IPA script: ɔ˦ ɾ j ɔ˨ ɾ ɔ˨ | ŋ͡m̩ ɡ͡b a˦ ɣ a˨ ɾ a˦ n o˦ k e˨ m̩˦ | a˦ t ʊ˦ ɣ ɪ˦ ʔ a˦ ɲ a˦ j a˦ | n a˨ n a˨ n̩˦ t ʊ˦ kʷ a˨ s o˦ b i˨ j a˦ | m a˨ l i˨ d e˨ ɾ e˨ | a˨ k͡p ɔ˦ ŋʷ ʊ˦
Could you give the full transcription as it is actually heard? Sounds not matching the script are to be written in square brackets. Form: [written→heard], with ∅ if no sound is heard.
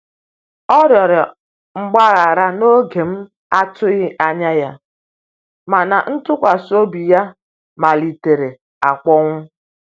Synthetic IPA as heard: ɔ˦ ɾ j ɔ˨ ɾ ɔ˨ | ŋ͡m̩ ɡ͡b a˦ ɣ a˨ ɾ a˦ n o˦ [k→ɡ] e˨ m̩˦ | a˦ t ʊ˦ ɣ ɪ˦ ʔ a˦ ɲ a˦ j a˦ | [n→m] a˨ n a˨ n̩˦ t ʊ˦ kʷ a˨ s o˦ b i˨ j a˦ | m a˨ l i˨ [d→t] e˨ ɾ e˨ | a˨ k͡p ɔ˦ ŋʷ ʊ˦

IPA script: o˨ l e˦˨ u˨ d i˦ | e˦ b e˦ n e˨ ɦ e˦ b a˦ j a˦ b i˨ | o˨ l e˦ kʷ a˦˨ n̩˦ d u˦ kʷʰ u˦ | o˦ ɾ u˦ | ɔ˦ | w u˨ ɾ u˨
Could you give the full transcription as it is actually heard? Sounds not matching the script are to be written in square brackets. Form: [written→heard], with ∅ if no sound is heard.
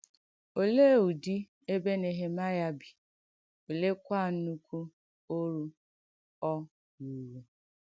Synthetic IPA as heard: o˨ l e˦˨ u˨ d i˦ | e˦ b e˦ n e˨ ɦ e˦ [b→m] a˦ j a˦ b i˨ | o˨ l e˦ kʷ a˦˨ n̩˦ [d→n] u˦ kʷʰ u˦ | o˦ ɾ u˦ | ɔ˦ | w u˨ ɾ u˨

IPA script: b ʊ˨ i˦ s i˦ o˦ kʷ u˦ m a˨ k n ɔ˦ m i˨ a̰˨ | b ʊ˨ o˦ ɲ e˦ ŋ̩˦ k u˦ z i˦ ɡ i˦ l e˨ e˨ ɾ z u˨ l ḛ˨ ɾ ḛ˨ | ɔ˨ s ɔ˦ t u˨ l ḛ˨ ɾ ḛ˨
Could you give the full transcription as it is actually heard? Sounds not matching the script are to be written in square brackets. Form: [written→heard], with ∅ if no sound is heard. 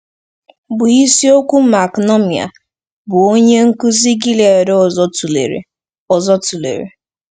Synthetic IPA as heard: b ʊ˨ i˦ s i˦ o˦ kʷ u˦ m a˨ k n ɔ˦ m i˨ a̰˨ | b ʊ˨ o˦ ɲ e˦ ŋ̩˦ k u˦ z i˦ ɡ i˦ l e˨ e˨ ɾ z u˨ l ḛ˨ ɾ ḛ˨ | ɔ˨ [s→z] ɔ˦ t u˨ l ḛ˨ ɾ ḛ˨

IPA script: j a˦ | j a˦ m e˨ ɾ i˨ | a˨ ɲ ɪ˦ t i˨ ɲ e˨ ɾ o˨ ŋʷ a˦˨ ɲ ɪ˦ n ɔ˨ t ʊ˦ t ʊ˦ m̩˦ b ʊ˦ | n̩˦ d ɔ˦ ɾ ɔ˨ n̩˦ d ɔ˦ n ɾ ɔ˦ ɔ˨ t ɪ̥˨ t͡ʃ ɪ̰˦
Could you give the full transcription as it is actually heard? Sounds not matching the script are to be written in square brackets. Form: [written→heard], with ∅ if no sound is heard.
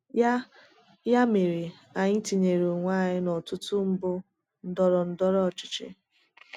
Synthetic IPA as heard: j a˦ | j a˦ m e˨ ɾ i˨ | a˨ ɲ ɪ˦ t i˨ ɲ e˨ ɾ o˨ ŋʷ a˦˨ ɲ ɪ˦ n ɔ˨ t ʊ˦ t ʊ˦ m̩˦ b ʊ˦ | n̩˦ d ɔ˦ ɾ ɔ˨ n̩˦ d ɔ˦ [n→∅] ɾ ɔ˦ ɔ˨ [t→t͡ʃ] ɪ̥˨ t͡ʃ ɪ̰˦

